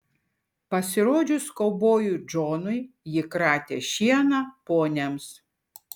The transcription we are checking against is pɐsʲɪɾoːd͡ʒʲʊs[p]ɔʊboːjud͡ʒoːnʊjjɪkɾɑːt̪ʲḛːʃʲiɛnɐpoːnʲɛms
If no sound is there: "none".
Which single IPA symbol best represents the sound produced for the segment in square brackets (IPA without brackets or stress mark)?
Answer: k